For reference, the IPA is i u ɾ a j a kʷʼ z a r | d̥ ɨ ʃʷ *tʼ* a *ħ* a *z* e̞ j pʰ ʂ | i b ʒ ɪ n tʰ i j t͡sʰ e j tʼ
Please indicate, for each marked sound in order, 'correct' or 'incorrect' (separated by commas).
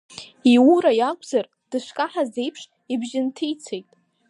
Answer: incorrect, correct, correct